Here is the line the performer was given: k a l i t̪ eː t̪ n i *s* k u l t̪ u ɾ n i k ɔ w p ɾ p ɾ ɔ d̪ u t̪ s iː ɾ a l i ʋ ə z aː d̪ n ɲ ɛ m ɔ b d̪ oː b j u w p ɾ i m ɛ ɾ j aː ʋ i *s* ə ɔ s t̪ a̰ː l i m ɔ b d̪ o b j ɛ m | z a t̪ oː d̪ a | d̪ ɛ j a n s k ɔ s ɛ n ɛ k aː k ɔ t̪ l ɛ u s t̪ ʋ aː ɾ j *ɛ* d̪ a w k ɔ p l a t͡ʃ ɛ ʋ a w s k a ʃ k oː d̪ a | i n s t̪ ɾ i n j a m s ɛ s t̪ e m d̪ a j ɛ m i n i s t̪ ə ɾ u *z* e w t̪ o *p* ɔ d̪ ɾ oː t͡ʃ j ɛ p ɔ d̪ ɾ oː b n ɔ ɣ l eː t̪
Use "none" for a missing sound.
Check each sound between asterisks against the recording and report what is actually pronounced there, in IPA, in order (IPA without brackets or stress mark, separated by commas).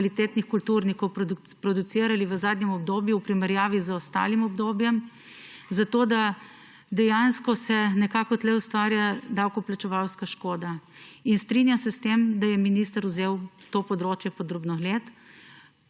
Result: x, z, a, z, p